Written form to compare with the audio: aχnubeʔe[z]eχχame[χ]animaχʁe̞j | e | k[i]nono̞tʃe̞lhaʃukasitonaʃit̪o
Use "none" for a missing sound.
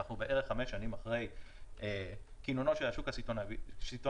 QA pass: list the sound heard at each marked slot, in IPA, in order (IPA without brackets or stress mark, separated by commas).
ʁ, ʃ, i